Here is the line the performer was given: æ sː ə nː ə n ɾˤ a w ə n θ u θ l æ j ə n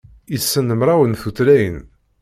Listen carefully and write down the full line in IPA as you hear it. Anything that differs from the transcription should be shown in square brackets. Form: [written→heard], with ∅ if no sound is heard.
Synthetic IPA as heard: [æ→i] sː ə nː ə [n→m] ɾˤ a w ə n θ u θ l æ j ə n